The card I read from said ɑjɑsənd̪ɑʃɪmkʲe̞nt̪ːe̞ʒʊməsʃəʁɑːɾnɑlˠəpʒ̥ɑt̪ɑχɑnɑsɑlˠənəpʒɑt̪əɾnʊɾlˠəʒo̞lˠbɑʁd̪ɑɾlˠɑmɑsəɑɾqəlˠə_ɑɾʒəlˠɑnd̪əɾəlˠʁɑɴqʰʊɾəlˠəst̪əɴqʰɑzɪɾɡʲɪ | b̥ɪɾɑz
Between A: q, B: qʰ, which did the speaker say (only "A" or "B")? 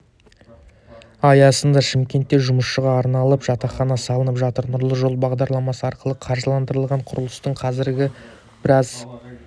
B